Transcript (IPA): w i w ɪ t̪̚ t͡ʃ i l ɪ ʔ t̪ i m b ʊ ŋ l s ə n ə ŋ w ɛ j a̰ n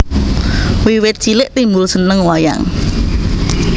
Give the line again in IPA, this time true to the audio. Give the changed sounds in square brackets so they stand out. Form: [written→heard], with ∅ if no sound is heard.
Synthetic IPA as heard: w i w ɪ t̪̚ t͡ʃ i l ɪ ʔ t̪ i m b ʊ [ŋ→∅] l s ə n ə ŋ w [ɛ→a] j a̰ [n→ŋ]